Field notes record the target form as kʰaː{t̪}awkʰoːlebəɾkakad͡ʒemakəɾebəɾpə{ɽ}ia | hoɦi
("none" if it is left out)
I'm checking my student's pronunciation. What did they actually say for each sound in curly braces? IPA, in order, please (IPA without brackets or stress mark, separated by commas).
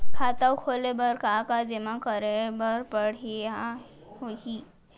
t̪, ɽ